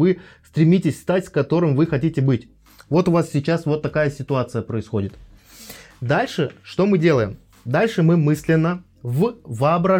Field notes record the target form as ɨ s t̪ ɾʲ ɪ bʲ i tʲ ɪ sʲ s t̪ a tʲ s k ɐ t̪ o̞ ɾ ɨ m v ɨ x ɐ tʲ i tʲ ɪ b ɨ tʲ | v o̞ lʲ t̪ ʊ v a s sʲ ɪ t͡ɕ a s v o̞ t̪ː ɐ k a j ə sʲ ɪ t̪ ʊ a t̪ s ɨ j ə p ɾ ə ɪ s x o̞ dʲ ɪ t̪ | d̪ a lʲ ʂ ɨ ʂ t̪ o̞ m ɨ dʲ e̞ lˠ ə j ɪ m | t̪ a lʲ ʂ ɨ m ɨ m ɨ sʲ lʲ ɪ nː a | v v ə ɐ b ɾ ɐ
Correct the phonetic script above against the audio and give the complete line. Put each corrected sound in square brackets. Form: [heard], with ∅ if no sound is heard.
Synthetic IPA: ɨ s t̪ ɾʲ ɪ [mʲ] i tʲ ɪ sʲ s t̪ a tʲ s k ɐ t̪ o̞ ɾ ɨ m v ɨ x ɐ tʲ i tʲ ɪ b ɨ tʲ | v o̞ [∅] t̪ ʊ v a s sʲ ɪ t͡ɕ a s v o̞ t̪ː ɐ k a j ə sʲ ɪ t̪ ʊ a t̪ s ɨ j ə p ɾ ə ɪ s x o̞ dʲ ɪ t̪ | d̪ a lʲ ʂ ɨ ʂ t̪ o̞ m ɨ dʲ e̞ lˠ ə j ɪ m | [d̪] a lʲ ʂ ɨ m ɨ m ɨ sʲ lʲ ɪ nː [ə] | v v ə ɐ b ɾ ɐ